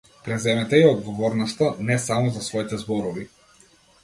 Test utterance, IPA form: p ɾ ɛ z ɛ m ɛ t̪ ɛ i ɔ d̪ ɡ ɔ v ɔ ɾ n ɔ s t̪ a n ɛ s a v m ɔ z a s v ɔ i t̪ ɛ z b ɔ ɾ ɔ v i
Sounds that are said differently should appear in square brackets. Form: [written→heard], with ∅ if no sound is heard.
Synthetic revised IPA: p ɾ ɛ z ɛ m ɛ t̪ ɛ i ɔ d̪ ɡ ɔ v ɔ ɾ n ɔ s t̪ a n ɛ s a [v→∅] m ɔ z a s v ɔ i t̪ ɛ z b ɔ ɾ ɔ v i